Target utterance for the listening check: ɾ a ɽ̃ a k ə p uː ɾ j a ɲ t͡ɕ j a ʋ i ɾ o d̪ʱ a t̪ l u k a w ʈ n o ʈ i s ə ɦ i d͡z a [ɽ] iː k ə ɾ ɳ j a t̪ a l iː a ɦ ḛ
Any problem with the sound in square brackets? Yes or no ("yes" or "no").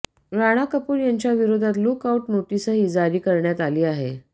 yes